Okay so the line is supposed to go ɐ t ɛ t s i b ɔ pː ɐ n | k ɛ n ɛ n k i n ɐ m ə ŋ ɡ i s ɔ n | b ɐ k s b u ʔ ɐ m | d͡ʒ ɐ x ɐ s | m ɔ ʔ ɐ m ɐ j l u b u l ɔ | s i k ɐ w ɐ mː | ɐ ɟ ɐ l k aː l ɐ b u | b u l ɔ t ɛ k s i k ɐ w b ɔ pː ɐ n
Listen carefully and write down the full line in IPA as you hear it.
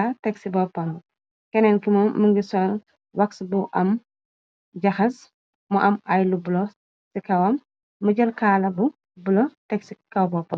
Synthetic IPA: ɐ t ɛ k s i b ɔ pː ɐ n | k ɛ n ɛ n k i m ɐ m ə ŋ ɡ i s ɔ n | w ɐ k s b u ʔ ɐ m | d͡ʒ ɐ x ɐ s | m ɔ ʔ ɐ m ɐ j l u b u l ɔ | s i k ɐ w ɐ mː | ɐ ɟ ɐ l k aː l ɐ b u | b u l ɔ t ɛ k s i k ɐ w b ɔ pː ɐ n

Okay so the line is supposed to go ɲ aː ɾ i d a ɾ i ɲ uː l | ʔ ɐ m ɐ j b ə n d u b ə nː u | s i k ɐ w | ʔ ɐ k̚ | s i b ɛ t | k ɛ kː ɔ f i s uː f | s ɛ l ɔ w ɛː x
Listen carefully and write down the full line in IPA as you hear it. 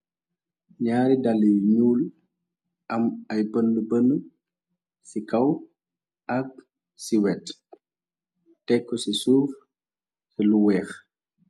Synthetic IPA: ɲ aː ɾ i d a l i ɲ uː l | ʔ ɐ m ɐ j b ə n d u b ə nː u | s i k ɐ w | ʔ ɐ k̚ | s i w ɛ t | t ɛ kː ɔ s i s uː f | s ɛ l u w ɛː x

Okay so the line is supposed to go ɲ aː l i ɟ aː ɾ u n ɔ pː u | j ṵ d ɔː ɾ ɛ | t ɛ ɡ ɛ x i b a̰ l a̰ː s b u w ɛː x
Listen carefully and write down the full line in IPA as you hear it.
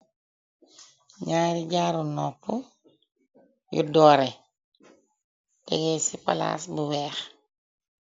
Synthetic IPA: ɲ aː ɾ i ɟ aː ɾ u n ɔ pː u | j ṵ d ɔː ɾ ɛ | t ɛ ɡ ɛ s i p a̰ l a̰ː s b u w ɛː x

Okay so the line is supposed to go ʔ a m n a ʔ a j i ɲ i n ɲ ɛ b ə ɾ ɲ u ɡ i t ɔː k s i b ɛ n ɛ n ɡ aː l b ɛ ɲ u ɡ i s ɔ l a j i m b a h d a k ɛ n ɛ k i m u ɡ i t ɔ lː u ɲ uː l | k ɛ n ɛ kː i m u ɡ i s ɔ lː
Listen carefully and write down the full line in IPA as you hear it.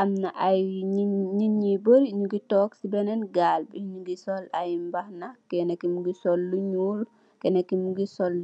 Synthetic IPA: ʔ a m n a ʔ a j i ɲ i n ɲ i b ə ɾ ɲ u ɡ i t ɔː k s i b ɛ n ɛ n ɡ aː l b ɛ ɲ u ɡ i s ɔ l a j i m b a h n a k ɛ n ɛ k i m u ɡ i s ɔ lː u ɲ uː l | k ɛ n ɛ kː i m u ɡ i s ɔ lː

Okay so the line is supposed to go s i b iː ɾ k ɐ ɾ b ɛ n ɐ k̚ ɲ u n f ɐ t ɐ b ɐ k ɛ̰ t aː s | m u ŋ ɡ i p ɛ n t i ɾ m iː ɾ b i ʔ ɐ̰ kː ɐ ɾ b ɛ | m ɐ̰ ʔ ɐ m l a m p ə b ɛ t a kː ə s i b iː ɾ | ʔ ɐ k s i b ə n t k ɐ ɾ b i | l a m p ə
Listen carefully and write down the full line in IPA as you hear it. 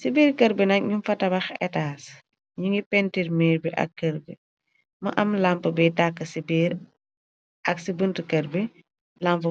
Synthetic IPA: s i b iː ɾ k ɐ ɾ b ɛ n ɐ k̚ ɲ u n f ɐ t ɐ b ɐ x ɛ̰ t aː s | ɲ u ŋ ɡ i p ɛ n t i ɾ m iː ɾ b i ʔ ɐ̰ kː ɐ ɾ b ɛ | m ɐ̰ ʔ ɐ m l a m p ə b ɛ t a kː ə s i b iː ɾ | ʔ ɐ k s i b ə n t k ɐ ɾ b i | l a m p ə

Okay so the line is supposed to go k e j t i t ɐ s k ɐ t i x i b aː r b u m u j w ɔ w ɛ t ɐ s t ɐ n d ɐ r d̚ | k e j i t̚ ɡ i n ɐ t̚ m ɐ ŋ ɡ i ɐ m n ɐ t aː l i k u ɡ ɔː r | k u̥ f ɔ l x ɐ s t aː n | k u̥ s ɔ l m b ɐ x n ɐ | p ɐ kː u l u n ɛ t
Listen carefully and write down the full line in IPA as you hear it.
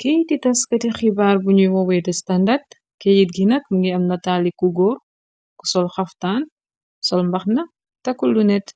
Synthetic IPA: k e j t i t ɐ s k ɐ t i x i b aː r b u ɲ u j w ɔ w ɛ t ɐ s t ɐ n d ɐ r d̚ | k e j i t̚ ɡ i n ɐ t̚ m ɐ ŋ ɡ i ɐ m n ɐ t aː l i k u ɡ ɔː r | k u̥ s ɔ l x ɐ f t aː n | k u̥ s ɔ l m b ɐ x n ɐ | t ɐ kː u l u n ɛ t

